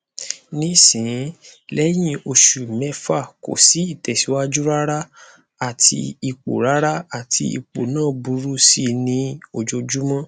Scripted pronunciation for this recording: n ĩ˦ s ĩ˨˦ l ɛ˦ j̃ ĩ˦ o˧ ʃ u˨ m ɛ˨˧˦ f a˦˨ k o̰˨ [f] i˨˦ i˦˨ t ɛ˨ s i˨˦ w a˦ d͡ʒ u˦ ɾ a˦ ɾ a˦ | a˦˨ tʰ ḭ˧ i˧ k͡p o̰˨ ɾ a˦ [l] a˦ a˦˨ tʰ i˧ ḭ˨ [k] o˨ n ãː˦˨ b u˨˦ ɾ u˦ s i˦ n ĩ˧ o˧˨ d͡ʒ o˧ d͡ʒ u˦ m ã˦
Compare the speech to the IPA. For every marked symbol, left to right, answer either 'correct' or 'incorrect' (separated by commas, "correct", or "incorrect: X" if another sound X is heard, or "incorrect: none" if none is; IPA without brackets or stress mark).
incorrect: s, incorrect: ɾ, incorrect: k͡p